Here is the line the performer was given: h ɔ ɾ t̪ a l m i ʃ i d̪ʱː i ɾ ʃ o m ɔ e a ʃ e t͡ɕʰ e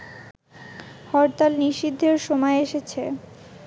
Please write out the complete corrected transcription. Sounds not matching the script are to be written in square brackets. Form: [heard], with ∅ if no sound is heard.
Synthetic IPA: h ɔ ɾ t̪ a l [n] i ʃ i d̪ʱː [e] ɾ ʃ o m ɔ e [e] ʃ e t͡ɕʰ e